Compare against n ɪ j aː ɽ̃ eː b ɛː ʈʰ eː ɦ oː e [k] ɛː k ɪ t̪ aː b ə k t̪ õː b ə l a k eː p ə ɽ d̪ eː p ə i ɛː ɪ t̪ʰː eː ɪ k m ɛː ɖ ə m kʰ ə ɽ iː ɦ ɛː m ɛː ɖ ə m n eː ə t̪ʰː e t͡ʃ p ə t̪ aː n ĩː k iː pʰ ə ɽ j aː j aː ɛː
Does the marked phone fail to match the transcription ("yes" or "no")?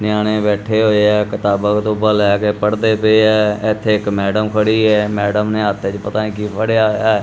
yes